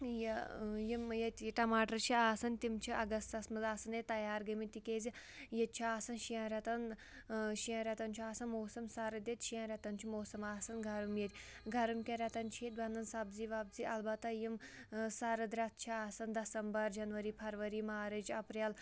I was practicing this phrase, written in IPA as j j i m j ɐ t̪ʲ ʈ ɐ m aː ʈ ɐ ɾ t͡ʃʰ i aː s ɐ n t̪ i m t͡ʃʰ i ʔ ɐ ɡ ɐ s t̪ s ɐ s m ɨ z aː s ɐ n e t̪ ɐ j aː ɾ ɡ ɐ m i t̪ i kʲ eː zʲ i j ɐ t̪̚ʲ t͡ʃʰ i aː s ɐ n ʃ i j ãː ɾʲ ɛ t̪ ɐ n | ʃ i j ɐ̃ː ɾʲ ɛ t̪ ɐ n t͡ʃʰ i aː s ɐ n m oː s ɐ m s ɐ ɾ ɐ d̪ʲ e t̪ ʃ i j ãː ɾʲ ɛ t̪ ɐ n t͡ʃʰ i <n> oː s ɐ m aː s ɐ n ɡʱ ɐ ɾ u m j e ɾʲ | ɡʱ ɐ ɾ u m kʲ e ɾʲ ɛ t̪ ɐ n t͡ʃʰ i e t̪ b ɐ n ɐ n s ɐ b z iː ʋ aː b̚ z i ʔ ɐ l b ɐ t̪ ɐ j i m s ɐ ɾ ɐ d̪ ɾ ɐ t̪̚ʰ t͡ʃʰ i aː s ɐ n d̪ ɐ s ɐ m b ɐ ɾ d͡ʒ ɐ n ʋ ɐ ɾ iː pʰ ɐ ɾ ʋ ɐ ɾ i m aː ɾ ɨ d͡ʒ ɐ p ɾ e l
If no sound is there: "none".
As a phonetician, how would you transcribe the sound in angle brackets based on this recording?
m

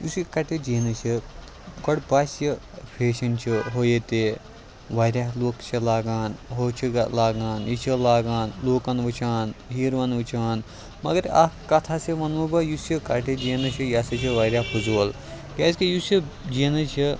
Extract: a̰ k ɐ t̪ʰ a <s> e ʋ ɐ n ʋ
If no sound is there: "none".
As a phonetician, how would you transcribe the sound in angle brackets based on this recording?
s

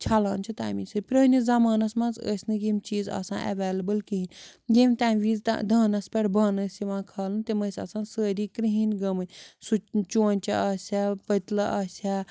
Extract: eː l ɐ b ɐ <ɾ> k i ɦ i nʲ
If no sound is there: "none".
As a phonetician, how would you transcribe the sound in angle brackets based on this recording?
l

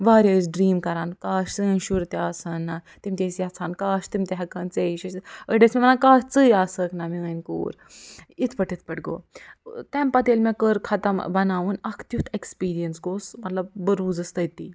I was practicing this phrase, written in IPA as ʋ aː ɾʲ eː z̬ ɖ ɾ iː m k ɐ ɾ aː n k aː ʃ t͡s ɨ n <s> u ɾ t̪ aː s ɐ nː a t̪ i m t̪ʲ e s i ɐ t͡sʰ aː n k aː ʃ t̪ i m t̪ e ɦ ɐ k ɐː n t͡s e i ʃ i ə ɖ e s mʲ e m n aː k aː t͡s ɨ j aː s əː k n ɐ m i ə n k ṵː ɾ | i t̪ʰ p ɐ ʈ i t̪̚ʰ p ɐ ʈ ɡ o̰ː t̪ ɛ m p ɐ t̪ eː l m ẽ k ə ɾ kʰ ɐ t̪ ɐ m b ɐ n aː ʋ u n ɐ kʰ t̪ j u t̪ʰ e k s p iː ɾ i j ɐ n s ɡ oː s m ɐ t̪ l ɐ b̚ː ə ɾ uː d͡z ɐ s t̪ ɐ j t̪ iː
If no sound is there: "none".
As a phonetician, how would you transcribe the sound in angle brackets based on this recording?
ʃ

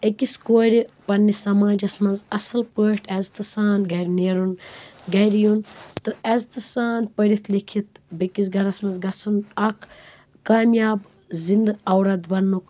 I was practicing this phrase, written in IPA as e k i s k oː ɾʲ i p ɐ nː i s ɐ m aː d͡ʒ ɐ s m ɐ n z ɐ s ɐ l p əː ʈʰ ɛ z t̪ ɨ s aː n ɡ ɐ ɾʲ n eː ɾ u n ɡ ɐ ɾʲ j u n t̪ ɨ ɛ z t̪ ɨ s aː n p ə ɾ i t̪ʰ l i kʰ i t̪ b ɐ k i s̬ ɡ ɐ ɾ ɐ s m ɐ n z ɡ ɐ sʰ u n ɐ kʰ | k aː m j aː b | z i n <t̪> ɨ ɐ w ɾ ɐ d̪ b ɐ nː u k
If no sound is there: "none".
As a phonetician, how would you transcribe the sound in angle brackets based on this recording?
d̪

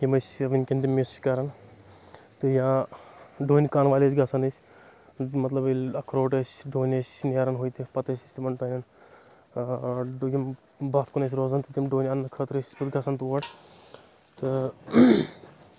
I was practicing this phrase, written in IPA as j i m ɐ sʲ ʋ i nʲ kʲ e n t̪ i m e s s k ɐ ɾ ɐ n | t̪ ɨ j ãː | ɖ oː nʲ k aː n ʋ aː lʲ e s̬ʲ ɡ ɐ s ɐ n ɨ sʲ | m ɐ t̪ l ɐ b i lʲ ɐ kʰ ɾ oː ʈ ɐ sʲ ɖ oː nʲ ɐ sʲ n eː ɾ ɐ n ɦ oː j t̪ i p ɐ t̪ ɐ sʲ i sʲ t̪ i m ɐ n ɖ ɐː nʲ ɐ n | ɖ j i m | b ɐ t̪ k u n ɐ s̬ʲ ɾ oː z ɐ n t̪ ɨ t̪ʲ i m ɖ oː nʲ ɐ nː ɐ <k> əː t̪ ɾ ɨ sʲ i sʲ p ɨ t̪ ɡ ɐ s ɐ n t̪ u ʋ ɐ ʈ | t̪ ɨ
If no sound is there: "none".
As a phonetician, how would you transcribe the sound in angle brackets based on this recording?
kʰ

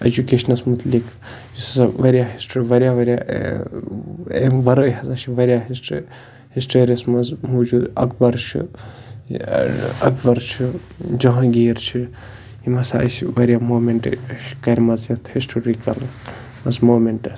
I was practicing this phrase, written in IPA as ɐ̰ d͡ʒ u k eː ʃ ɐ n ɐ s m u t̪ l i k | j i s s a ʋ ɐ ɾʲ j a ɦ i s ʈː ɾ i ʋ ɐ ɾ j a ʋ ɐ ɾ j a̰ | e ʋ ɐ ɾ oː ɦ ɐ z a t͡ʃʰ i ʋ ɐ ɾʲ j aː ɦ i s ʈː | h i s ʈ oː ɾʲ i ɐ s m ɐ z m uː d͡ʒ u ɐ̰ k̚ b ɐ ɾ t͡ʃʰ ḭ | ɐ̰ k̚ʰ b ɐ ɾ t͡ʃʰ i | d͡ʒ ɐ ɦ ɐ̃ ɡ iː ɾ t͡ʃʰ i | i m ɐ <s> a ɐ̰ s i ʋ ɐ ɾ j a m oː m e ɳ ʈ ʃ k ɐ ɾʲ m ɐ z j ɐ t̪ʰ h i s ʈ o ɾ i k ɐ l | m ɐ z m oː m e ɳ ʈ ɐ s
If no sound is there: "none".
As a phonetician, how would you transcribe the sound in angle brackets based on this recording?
s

